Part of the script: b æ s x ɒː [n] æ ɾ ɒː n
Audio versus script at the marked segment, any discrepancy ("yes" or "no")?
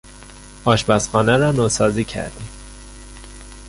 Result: no